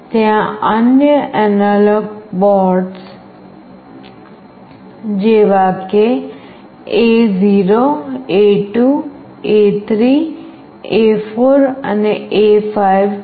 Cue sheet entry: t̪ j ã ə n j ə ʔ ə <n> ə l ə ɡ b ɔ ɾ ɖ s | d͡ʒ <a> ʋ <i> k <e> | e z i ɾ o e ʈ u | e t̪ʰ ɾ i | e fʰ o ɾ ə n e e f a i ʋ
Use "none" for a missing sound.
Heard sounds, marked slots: n, e, a, e

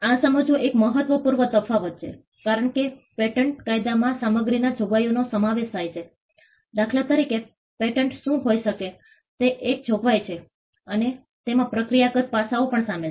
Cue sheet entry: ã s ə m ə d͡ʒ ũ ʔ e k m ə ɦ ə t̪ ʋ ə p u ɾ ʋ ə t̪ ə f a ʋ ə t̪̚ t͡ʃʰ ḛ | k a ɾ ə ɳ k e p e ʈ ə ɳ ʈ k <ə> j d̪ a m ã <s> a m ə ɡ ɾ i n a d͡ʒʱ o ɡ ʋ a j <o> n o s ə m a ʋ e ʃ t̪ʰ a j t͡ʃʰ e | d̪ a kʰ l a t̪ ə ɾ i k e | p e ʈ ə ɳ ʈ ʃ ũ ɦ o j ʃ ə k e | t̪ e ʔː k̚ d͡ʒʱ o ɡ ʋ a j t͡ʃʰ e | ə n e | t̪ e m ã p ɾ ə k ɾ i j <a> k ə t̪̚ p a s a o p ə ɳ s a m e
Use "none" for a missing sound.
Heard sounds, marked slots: a, s, o, a

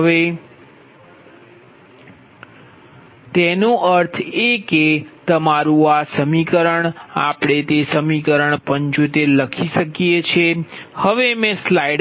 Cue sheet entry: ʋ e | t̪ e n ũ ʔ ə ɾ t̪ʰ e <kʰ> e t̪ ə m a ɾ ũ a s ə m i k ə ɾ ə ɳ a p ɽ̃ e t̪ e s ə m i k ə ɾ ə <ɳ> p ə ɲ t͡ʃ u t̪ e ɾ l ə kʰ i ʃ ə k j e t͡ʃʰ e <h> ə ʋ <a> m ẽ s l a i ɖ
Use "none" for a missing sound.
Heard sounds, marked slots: k, ɳ, h, e

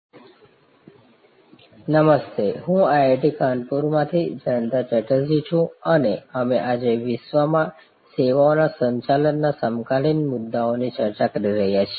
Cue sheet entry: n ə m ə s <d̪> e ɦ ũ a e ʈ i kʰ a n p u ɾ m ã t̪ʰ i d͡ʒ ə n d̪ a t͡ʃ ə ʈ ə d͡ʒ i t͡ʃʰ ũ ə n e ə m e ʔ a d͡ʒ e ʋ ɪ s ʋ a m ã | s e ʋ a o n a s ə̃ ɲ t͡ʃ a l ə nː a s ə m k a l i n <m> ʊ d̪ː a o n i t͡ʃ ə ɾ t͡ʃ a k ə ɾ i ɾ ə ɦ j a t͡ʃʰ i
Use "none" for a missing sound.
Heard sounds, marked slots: t̪, m

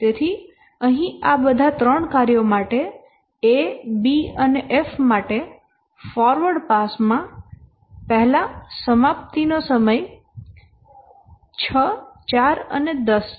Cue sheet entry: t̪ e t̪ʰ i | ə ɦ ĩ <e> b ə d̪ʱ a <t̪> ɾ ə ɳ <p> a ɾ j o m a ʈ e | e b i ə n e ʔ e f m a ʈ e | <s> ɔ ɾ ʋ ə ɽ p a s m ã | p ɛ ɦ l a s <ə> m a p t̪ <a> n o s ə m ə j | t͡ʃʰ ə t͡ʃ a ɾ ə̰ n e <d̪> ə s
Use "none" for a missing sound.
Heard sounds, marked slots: a, t̪, k, f, ə, i, d̪

